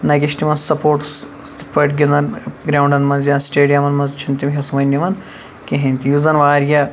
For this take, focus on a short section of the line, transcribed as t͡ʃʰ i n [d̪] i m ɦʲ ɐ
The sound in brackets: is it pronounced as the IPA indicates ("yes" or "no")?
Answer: no